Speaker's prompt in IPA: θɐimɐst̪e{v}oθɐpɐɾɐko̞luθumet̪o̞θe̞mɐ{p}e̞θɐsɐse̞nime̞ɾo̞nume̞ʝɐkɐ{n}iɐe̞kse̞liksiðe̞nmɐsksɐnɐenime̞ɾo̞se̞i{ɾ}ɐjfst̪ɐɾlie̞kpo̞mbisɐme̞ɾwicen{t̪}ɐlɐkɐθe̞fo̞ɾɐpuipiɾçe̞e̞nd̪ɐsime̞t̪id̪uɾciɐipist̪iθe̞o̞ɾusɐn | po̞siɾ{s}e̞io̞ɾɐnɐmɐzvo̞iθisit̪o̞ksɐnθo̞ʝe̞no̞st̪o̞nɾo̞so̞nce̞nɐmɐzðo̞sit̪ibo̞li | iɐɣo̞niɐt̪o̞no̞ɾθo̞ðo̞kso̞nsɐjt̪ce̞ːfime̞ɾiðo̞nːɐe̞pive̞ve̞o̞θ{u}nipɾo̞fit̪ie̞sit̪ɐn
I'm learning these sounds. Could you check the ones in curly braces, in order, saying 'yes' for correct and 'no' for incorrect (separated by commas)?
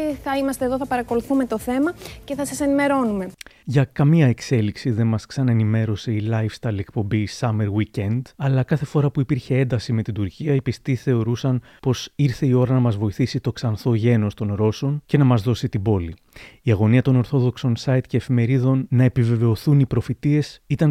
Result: no, no, no, no, no, no, yes